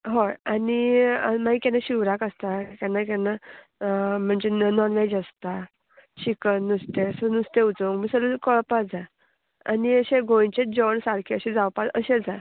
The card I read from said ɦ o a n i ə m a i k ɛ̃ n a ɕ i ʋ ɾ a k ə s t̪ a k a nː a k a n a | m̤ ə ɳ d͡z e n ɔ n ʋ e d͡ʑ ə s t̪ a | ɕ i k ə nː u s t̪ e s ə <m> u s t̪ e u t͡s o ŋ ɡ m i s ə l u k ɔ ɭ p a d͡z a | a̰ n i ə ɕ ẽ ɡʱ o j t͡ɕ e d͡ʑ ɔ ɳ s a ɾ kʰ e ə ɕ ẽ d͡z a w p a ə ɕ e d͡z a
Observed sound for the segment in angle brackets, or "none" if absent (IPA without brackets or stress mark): n